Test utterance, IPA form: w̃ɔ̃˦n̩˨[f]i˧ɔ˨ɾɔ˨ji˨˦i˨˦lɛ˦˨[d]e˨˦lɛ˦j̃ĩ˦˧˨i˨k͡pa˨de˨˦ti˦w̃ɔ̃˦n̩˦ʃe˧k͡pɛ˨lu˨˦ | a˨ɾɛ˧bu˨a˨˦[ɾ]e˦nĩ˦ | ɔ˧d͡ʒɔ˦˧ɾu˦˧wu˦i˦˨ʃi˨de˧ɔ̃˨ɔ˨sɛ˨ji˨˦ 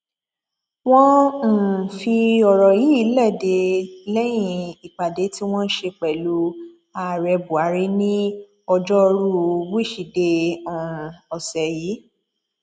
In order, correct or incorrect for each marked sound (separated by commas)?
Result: correct, correct, correct